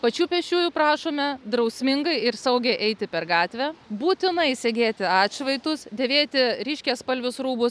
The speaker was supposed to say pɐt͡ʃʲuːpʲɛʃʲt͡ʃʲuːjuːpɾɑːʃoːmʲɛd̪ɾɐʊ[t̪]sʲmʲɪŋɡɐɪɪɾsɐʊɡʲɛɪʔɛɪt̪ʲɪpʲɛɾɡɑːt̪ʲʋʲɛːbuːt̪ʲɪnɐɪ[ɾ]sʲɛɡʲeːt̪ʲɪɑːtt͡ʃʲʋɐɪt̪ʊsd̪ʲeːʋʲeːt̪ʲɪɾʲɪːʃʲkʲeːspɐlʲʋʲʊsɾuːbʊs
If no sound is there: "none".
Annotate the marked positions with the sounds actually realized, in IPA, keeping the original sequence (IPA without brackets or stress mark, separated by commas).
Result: none, none